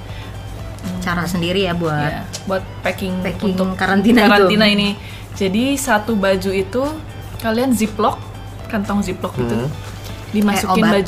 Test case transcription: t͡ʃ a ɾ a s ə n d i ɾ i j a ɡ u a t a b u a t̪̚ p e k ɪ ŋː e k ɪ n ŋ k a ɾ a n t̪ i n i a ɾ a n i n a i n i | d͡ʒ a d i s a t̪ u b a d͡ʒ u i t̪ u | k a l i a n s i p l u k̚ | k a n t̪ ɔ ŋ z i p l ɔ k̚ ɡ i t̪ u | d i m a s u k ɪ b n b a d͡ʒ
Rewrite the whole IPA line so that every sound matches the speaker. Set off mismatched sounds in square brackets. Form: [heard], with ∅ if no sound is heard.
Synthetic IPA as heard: t͡ʃ a ɾ a s ə n d i ɾ i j a [b] u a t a b u a t̪̚ p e k ɪ [ŋ] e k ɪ [ŋ] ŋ k a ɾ a n t̪ i n [a] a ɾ a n i n a i n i | d͡ʒ a d i s a t̪ u b a d͡ʒ u i t̪ u | k a l i a n [z] i p l [ɔ] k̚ | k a n t̪ ɔ ŋ z i p l ɔ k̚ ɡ i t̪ u | d i m a s u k ɪ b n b a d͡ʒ